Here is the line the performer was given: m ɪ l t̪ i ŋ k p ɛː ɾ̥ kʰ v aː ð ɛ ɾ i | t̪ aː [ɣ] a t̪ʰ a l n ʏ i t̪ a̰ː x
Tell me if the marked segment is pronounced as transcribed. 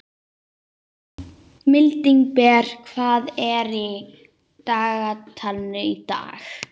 yes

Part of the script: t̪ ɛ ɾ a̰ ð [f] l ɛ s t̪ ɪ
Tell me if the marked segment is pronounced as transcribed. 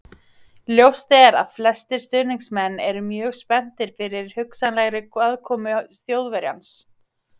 yes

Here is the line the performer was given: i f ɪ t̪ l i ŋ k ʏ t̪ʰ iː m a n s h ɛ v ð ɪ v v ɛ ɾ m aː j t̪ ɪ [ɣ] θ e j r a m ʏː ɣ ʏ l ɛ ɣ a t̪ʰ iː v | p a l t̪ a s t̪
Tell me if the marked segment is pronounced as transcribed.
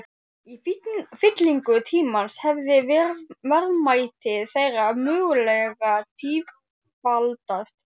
no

